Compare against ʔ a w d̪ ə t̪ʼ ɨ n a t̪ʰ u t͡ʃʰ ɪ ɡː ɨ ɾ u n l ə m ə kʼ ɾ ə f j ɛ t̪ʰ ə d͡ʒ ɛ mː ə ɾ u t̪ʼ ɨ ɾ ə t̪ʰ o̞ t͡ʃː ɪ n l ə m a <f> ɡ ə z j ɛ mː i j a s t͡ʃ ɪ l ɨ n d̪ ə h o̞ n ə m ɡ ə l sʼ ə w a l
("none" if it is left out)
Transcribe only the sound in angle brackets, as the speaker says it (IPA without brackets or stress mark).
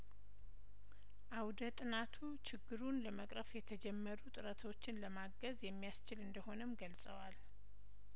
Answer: none